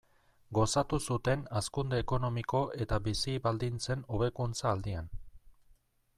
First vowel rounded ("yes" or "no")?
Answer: yes